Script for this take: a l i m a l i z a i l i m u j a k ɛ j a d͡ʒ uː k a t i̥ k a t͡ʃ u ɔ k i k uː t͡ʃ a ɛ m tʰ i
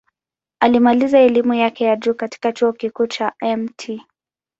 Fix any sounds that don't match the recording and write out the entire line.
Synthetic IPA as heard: a l i m a l i z a ɛ l i m u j a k ɛ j a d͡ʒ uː k a t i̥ k a t͡ʃ u ɔ k i k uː t͡ʃ a ɛ m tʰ i